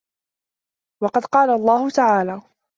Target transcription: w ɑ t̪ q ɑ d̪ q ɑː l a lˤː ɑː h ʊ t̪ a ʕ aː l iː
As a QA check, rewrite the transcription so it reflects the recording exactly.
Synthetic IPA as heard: w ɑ q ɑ d̪ q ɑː l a lˤː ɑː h ʊ t̪ a ʕ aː l aː